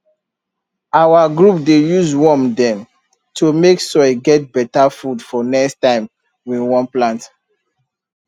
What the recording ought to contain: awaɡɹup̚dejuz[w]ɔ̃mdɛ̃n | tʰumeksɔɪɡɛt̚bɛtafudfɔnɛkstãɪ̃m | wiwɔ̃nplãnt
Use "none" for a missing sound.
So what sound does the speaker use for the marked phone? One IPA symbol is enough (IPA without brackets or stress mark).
w